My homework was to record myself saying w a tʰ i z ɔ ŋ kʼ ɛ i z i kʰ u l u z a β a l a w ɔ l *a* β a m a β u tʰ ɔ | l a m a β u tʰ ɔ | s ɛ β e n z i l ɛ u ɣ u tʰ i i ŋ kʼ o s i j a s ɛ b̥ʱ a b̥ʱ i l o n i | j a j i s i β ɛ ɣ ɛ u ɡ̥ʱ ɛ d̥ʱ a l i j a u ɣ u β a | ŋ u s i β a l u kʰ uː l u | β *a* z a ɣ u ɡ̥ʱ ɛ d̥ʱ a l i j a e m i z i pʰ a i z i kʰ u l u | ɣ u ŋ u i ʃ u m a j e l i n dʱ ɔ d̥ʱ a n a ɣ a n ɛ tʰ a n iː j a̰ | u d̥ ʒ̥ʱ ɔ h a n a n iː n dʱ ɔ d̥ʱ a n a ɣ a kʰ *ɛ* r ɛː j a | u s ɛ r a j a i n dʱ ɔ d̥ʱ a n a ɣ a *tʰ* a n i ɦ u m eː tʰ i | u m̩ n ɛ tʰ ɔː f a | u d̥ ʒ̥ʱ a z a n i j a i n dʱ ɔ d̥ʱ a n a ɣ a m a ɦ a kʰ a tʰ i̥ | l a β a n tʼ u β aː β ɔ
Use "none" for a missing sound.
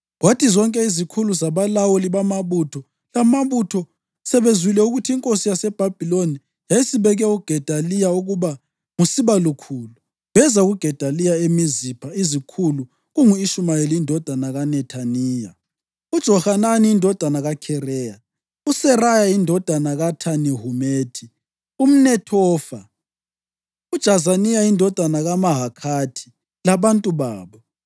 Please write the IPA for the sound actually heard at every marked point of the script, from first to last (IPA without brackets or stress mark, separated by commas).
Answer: i, ɛ, ɛ, tʰ